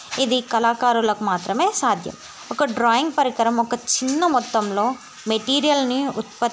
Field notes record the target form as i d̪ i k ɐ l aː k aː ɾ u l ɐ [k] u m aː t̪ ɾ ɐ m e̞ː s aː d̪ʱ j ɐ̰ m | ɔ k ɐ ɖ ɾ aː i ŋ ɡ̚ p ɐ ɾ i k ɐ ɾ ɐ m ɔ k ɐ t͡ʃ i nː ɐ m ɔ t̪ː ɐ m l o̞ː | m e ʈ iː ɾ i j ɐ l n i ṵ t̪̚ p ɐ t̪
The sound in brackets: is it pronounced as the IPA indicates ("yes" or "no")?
yes